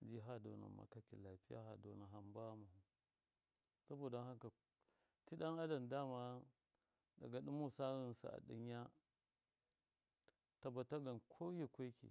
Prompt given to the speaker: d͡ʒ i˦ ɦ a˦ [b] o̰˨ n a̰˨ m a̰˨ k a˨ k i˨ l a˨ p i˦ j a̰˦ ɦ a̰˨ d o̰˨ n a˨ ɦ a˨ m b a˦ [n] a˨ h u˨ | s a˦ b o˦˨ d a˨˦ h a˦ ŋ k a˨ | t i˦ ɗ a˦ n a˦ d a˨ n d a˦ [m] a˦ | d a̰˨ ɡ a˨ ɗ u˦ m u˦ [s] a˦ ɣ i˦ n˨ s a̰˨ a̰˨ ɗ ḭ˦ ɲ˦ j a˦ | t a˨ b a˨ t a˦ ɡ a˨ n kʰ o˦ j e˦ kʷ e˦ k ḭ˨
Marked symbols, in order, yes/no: no, no, yes, yes

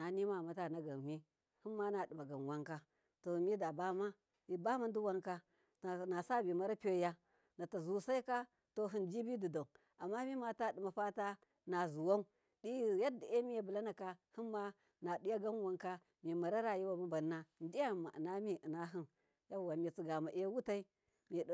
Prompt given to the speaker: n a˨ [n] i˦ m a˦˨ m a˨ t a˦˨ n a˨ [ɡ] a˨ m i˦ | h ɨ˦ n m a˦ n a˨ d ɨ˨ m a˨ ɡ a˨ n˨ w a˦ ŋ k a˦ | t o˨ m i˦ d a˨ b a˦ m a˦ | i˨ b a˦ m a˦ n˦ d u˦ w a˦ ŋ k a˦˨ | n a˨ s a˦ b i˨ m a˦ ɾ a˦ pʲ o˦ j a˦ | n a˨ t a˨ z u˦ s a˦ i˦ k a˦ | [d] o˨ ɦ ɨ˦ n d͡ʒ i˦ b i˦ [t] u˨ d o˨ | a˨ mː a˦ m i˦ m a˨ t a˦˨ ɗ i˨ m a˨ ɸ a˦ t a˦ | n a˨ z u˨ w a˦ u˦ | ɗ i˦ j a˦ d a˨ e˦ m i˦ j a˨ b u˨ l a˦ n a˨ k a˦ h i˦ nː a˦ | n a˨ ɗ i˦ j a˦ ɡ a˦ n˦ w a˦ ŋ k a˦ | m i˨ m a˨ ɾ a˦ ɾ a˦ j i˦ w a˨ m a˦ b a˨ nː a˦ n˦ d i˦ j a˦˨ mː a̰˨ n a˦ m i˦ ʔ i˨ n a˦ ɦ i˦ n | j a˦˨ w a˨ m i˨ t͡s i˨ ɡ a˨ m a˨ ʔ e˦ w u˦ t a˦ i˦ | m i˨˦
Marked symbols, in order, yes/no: yes, yes, no, no

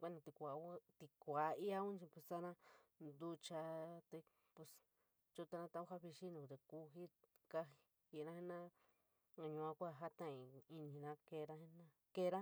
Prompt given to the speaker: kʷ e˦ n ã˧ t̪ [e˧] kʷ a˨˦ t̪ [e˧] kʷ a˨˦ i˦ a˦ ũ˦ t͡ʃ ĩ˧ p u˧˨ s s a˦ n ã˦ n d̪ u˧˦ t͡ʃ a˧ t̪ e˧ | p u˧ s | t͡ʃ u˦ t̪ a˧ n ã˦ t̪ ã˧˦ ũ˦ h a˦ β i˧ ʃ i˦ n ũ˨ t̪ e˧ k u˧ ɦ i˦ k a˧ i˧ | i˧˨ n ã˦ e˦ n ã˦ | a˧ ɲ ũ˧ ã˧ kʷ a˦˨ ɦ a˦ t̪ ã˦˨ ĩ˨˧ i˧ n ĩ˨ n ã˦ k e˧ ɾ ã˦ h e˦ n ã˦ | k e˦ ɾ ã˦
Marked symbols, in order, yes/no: no, no

